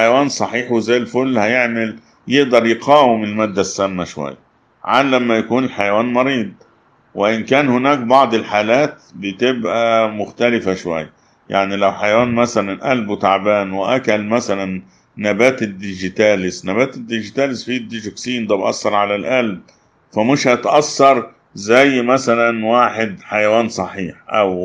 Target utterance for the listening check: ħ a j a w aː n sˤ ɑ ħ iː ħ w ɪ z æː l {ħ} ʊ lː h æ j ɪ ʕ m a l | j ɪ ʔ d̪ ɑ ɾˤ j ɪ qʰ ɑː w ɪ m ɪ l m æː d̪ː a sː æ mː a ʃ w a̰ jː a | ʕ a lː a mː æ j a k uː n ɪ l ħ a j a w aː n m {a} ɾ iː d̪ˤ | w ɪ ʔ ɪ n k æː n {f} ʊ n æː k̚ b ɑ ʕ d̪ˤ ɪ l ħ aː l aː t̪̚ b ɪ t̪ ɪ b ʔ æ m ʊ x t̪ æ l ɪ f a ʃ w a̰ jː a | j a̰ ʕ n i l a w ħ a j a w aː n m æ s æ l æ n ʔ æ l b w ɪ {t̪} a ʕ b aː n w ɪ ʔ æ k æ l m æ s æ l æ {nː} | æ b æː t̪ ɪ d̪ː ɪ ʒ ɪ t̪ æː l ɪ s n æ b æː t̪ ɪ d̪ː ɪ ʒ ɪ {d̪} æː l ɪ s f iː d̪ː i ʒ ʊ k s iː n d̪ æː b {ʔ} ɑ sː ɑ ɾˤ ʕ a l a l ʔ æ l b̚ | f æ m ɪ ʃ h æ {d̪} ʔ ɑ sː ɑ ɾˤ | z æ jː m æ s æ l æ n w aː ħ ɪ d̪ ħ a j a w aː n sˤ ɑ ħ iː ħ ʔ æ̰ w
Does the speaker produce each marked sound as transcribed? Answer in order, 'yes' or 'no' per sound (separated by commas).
no, no, no, yes, yes, no, yes, no